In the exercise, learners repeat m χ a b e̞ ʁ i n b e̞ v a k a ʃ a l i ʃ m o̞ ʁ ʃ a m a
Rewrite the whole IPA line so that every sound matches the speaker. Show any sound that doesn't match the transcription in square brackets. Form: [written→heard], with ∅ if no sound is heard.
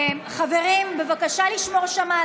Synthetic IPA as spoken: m χ a [b→v] e̞ ʁ i [n→m] b e̞ v a k a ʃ a l i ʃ m o̞ ʁ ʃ a m a